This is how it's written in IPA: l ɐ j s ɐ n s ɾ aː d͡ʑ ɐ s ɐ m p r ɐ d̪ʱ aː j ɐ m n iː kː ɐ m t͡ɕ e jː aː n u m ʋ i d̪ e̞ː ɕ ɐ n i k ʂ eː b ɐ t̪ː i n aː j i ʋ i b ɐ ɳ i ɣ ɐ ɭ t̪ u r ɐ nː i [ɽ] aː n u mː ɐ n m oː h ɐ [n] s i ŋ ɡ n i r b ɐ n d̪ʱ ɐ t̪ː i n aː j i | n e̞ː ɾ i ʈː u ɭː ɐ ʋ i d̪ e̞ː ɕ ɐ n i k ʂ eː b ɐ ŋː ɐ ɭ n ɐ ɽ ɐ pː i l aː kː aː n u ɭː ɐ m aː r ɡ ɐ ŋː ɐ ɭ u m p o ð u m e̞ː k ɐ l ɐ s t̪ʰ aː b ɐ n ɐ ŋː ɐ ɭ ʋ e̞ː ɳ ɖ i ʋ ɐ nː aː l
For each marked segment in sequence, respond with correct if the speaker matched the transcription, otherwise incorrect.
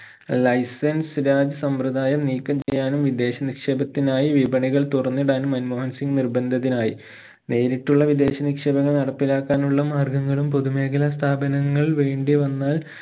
correct, correct

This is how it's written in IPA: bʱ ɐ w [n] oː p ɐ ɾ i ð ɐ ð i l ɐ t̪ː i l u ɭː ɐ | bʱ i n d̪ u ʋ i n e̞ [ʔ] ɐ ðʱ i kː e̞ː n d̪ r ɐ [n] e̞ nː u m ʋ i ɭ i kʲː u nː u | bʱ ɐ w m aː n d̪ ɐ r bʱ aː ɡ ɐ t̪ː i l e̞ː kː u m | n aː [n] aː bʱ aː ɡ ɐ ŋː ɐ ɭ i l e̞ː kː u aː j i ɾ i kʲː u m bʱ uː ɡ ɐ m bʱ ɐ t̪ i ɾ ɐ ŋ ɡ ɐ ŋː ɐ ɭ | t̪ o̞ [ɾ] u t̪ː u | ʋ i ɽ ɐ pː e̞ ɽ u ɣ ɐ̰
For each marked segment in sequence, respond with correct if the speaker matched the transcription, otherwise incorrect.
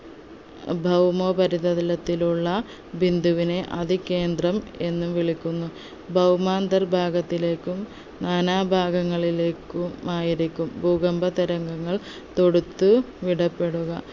incorrect: m, correct, incorrect: m, correct, incorrect: ɽ

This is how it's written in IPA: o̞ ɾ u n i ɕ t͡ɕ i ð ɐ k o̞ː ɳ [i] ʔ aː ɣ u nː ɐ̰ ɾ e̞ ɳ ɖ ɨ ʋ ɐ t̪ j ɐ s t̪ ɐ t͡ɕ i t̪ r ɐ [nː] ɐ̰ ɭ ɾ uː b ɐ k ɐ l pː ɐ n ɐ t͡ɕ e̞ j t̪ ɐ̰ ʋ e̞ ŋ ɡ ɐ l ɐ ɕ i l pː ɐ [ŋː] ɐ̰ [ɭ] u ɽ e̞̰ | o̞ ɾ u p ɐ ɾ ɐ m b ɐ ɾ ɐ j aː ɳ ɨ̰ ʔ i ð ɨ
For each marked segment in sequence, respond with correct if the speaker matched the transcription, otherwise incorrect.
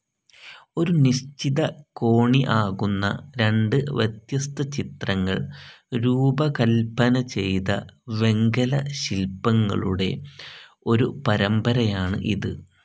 correct, incorrect: ŋː, correct, correct

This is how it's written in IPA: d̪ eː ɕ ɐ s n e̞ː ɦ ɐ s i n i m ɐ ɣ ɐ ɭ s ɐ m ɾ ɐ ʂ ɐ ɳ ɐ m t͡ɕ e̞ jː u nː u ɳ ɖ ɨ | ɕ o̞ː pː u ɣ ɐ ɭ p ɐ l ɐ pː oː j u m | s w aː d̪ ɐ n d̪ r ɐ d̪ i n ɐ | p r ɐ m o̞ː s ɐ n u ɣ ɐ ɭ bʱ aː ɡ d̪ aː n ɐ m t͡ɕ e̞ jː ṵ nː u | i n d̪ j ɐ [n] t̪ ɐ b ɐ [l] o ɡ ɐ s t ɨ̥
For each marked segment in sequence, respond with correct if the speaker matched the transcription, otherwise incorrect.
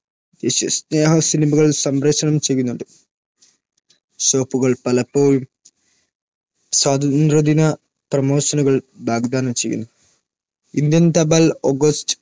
correct, correct

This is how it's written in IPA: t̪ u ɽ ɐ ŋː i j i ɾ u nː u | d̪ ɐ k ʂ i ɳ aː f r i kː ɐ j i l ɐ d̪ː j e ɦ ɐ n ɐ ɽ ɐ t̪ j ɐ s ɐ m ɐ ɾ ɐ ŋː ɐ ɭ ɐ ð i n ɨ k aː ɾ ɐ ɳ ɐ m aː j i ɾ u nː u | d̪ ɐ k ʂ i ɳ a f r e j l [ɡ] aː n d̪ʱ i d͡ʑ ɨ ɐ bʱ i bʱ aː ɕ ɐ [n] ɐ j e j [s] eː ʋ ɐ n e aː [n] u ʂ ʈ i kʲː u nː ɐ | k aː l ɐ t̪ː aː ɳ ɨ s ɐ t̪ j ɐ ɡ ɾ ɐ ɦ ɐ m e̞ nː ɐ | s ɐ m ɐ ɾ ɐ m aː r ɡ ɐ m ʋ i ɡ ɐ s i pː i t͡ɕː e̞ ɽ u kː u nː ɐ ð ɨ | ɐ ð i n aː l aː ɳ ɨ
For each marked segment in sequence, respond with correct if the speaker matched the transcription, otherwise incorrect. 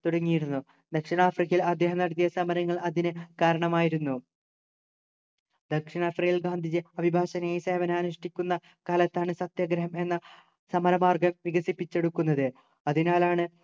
correct, correct, correct, correct

